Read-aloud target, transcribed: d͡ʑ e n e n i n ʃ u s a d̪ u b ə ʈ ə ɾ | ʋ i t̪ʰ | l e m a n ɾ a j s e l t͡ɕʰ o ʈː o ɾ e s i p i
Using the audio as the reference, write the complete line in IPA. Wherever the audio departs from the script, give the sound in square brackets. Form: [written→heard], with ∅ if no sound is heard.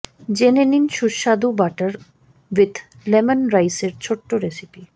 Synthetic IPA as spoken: d͡ʑ e n e n i n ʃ u [s→ʃ] a d̪ u b [ə→a] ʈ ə ɾ | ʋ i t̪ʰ | l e m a n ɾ a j s e [l→ɾ] t͡ɕʰ o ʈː o ɾ e s i p i